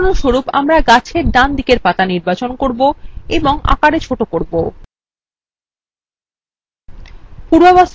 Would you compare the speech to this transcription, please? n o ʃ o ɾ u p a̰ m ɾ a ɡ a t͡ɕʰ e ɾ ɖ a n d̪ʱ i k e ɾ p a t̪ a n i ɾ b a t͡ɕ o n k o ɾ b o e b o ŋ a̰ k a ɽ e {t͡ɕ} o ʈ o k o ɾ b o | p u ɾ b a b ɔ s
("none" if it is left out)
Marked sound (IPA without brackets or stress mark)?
t͡ɕʰ